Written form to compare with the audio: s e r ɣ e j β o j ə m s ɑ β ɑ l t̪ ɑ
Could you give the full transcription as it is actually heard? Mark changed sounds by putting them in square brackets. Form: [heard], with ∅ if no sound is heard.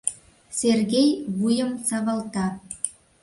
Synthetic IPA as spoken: s e r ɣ e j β [u] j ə m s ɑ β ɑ l t̪ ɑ